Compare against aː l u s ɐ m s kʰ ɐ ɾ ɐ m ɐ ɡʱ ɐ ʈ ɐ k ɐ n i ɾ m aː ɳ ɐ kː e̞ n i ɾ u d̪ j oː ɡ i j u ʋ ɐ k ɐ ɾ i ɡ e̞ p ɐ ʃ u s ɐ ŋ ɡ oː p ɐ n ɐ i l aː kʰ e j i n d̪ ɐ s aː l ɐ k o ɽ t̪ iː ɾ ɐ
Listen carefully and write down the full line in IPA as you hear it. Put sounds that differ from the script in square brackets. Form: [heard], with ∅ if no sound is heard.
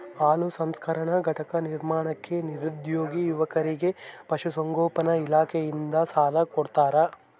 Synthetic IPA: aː l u s ɐ m s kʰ ɐ ɾ ɐ [ɳ] ɐ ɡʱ ɐ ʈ ɐ k ɐ n i ɾ m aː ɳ ɐ kː e̞ n i ɾ u d̪ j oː ɡ i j u ʋ ɐ k ɐ ɾ i ɡ e̞ p ɐ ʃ u s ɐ ŋ ɡ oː p ɐ n ɐ i l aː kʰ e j i n d̪ ɐ s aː l ɐ k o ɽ t̪ [aː] ɾ ɐ